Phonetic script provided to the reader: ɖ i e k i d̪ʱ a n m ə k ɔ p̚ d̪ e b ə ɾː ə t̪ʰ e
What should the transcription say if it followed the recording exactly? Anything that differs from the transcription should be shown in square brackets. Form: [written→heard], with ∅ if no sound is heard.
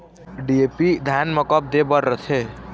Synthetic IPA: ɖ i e [k→p] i d̪ʱ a n m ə k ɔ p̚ d̪ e b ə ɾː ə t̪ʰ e